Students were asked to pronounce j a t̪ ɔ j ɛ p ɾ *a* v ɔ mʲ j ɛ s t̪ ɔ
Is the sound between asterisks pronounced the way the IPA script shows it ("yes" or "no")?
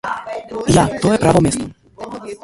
yes